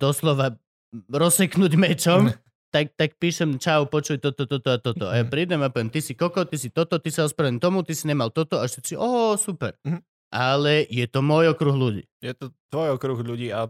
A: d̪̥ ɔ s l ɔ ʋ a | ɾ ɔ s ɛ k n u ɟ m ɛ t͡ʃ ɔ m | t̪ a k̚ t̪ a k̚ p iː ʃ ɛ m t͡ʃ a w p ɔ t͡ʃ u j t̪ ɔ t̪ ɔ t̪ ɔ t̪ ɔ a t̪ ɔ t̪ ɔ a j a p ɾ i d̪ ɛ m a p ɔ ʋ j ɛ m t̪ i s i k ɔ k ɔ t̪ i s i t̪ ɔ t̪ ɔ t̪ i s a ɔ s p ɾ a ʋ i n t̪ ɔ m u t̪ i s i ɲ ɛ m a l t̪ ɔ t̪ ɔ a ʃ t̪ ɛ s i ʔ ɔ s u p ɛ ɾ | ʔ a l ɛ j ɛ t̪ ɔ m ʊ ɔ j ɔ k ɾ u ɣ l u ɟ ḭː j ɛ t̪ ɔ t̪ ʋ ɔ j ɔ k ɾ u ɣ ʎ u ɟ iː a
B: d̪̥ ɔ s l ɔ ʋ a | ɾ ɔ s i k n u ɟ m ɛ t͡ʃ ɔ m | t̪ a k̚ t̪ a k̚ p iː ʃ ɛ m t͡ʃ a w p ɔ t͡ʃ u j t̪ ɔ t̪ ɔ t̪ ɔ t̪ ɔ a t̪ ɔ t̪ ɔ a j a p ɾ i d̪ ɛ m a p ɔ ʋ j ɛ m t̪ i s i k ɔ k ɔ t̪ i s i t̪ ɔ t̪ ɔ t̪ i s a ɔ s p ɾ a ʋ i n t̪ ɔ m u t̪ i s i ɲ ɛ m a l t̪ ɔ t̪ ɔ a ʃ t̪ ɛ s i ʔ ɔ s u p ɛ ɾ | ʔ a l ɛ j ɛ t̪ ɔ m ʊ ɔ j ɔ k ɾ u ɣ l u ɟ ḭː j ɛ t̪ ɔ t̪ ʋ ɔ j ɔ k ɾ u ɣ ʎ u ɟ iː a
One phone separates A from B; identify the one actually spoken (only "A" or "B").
A